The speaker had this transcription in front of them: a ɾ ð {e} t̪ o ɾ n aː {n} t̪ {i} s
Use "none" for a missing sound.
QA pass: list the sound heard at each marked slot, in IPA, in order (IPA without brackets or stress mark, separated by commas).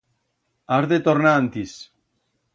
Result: e, n, i